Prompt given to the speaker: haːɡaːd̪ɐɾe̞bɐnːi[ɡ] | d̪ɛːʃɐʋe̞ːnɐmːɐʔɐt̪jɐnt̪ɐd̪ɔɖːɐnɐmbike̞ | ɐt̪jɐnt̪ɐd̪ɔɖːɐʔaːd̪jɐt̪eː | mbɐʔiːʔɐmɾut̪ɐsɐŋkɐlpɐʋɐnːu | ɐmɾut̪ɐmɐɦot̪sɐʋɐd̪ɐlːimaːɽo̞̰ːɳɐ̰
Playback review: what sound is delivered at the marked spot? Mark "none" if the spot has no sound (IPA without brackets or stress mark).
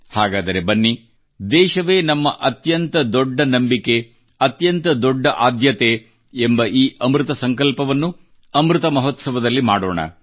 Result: none